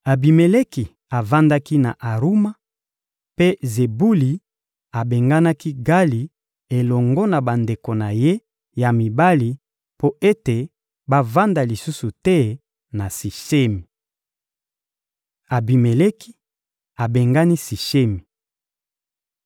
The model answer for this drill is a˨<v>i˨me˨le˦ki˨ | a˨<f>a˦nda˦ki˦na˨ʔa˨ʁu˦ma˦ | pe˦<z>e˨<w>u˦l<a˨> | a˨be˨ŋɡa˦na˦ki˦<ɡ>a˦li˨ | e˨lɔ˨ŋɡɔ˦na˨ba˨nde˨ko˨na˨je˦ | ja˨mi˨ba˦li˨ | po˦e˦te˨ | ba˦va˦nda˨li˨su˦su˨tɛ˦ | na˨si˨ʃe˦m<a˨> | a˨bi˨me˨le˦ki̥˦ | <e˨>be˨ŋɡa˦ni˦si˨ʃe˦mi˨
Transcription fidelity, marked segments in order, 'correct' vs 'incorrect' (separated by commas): incorrect, incorrect, correct, incorrect, incorrect, correct, incorrect, incorrect